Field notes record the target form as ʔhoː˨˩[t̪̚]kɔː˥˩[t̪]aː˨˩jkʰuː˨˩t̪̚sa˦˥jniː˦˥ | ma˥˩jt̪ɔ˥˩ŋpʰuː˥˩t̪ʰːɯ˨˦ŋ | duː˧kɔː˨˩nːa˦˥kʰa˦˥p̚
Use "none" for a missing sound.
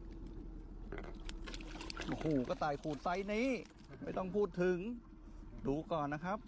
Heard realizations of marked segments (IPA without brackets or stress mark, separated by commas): none, t̪